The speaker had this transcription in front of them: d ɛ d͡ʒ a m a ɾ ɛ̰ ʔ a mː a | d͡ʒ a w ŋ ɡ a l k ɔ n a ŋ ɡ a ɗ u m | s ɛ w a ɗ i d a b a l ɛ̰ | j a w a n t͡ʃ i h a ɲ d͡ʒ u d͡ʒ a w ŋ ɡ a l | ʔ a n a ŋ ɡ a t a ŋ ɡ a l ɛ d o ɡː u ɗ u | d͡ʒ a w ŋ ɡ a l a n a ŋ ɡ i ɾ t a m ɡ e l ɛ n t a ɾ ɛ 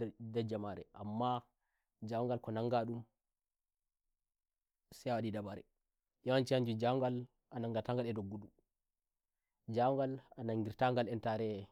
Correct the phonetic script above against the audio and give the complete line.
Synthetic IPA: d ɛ d͡ʒ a m a ɾ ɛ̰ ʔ a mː a | d͡ʒ a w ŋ ɡ a l k ɔ n a ŋ ɡ a ɗ u m | s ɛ w a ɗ i d a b a ɾ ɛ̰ | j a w a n t͡ʃ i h a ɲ d͡ʒ u d͡ʒ a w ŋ ɡ a l | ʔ a n a ŋ ɡ a t a ŋ ɡ a l ɛ d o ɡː u ɗ u | d͡ʒ a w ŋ ɡ a l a n a ŋ ɡ i ɾ t a ŋ ɡ a l ɛ n t a ɾ ɛ

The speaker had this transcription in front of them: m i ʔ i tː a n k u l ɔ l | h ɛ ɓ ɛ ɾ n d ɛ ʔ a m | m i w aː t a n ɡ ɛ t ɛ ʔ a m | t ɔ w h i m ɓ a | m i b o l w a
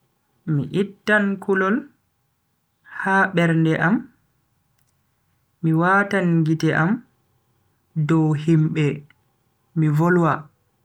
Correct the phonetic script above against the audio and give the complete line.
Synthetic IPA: m i ʔ i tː a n k u l ɔ l | h a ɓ ɛ ɾ n d ɛ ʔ a m | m i w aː t a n ɡ i t ɛ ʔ a m | d ɔ w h i m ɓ ɛ | m i v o l w a

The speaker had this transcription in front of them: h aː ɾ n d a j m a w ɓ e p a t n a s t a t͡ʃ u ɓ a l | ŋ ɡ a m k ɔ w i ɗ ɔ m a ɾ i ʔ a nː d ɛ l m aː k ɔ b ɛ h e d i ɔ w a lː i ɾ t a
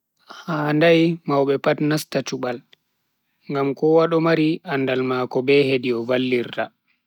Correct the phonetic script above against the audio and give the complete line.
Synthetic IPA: h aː n d a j m a w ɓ ɛ p a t n a s t a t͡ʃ u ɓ a l | ŋ ɡ a m k ɔ w a ɗ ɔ m a ɾ i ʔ a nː d a l m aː k ɔ b ɛ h e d i ɔ v a lː i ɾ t a

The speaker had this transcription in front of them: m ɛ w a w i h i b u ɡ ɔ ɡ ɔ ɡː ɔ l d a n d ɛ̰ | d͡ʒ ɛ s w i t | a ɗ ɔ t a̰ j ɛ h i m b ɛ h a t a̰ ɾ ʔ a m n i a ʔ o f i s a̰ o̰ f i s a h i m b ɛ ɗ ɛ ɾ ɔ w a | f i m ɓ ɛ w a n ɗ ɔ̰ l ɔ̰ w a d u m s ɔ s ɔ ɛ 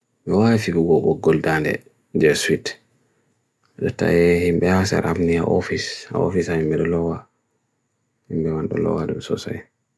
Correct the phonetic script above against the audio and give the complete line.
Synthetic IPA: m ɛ w a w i f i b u ɡ ɔ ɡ ɔ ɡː ɔ l d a n d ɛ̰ | d͡ʒ ɛ s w i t | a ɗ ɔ t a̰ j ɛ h i m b ɛ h a s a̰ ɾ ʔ a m n i a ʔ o f i s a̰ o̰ f i s a h i m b ɛ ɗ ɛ l ɔ w a | h i m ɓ ɛ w a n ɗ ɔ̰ l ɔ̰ w a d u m s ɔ s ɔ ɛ

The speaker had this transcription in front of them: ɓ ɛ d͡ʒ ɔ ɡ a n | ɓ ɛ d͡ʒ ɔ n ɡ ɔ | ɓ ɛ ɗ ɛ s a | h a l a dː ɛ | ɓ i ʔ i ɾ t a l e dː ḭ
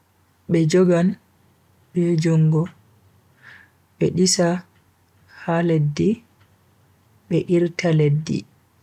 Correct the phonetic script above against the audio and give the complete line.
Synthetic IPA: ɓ ɛ d͡ʒ ɔ ɡ a n | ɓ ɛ d͡ʒ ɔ ŋ ɡ ɔ | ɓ ɛ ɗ i s a | h a l e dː i | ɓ ɛ ʔ i ɾ t a l e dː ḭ

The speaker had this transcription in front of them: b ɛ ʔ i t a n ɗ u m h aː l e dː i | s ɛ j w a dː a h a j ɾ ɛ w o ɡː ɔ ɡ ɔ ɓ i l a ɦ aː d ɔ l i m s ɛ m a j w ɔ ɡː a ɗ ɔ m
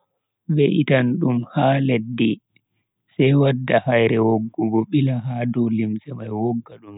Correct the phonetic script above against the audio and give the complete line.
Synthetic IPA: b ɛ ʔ i t a n ɗ u m h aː l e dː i | s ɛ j w a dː a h a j ɾ ɛ w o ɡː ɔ ɡ ɔ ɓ i l a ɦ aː d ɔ l i m s ɛ m a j w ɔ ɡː a ɗ u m

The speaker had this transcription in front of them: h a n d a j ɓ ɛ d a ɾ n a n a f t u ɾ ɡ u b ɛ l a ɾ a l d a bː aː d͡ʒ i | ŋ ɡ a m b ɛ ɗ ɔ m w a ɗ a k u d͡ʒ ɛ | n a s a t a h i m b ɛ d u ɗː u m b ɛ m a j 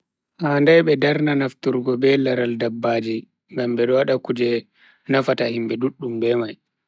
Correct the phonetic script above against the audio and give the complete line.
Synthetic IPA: h a n d a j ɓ ɛ d a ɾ n a n a f t u ɾ ɡ ɔ b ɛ l a ɾ a l d a bː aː d͡ʒ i | ŋ ɡ a m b ɛ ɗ ɔ w a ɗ a k u d͡ʒ ɛ | n a f a t a h i m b ɛ d u ɗː u m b ɛ m a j

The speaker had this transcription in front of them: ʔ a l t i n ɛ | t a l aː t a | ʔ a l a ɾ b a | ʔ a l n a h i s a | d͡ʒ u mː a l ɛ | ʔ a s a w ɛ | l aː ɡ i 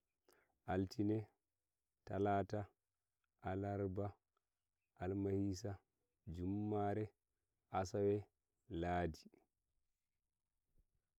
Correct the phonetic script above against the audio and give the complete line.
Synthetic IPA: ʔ a l t i n ɛ | t a l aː t a | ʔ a l a ɾ b a | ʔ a l m a h i s a | d͡ʒ u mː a ɾ ɛ | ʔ a s a w ɛ | l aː d i

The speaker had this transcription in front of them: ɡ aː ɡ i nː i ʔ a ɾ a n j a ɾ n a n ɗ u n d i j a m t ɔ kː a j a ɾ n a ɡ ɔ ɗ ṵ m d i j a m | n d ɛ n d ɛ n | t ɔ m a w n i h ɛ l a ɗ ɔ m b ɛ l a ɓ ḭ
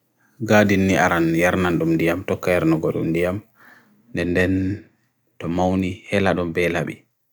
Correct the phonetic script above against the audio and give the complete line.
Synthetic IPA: ɡ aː d i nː i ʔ a ɾ a n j a ɾ n a n ɗ u m d i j a m t ɔ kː a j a ɾ n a ɡ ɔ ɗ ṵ m d i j a m | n d ɛ n d ɛ n | t ɔ m a w n i h ɛ l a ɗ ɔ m b ɛ l a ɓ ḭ

